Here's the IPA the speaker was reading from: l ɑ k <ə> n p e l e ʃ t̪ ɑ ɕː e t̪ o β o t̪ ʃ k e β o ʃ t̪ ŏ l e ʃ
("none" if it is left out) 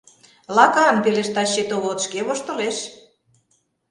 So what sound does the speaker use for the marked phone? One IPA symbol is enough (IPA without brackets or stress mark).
ɑ